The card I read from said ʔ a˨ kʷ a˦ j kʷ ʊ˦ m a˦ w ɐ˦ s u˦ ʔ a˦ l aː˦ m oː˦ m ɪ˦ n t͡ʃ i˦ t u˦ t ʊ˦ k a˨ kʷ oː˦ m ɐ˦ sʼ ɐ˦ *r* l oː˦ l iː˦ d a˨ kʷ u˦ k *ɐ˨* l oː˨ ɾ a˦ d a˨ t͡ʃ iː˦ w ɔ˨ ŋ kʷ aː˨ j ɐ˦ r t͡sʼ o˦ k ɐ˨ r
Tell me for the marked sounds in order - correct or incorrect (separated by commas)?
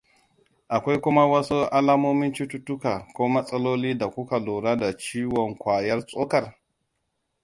incorrect, incorrect